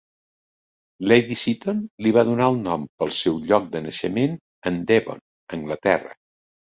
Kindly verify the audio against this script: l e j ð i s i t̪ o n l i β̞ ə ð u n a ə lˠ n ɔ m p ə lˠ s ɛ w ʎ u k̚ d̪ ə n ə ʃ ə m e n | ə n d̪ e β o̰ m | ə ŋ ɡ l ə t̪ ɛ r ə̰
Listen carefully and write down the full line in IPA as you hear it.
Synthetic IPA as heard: l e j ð i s i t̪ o n l i β̞ a ð u n a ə lˠ n ɔ m p ə lˠ s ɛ w ʎ ɔ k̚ d̪ ə n ə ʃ ə m e n | ə n d̪ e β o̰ n | ə ŋ ɡ l ə t̪ ɛ r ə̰